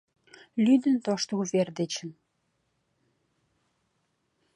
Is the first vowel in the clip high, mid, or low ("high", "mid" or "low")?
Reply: high